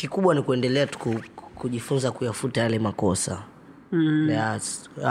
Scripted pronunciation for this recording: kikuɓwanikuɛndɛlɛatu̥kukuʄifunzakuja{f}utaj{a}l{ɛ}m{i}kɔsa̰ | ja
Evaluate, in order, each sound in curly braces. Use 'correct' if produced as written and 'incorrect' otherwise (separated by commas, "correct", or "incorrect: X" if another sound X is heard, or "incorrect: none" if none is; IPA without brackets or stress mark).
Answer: correct, correct, correct, incorrect: a